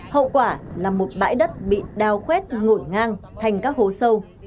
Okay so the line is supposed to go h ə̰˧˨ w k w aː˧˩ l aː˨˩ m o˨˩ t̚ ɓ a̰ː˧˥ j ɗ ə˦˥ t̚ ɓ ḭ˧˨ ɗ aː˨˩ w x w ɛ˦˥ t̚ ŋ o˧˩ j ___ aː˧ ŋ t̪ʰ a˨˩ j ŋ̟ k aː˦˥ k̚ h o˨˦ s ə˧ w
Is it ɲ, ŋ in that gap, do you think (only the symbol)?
ŋ